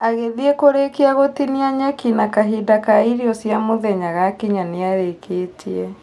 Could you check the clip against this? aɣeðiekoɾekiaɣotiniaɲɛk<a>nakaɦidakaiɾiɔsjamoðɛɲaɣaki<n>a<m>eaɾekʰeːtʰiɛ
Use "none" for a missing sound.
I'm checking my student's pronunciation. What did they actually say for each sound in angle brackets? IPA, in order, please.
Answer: i, ɲ, n

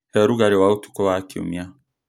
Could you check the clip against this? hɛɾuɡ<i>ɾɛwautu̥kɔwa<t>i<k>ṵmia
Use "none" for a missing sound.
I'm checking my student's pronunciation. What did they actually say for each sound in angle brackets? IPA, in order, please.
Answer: a, k, none

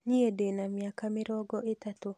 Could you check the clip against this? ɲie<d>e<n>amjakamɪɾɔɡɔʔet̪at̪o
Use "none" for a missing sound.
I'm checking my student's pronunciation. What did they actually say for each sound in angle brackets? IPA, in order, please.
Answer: d, n

